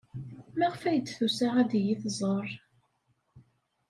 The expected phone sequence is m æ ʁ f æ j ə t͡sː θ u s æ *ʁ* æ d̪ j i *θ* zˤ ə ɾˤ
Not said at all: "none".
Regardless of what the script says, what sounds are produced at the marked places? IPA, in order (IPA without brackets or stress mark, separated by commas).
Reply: ʁ, θ